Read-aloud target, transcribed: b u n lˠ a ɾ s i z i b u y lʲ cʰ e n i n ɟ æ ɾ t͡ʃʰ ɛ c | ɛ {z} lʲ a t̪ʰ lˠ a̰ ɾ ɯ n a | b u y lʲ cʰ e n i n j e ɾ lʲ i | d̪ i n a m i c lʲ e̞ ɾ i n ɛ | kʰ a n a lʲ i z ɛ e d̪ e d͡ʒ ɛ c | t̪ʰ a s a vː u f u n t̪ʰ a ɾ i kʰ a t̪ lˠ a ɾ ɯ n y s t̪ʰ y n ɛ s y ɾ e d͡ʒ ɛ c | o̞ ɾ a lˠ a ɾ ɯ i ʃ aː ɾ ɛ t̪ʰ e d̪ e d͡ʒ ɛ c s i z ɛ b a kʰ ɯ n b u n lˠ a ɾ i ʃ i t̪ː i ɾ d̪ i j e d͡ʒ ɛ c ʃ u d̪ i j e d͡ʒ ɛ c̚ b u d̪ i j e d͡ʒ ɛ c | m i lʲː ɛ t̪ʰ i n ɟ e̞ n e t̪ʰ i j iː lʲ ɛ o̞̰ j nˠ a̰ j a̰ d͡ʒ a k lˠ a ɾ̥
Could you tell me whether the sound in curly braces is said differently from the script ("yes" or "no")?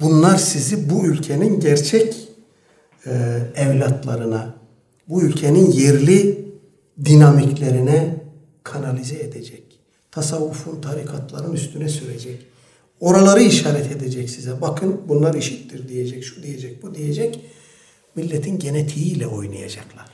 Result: yes